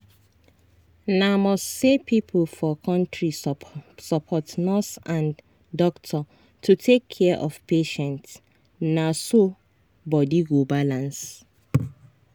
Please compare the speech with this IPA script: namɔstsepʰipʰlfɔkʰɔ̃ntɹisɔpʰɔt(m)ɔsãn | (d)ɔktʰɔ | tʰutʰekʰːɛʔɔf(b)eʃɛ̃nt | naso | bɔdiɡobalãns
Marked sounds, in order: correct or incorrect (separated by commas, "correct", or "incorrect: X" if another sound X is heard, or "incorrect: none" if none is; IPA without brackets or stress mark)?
incorrect: n, correct, incorrect: p